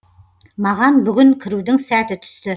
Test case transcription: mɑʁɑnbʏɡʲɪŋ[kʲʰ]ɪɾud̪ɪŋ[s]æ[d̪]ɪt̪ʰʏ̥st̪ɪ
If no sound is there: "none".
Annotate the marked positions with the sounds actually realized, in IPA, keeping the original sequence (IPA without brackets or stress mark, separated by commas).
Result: kʲʰ, s, t̪